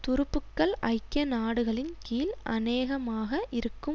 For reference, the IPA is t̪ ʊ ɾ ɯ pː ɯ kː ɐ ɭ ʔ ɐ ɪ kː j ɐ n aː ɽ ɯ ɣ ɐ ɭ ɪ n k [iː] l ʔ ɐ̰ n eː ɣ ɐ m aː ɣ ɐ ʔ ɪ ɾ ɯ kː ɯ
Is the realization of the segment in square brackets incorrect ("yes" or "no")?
no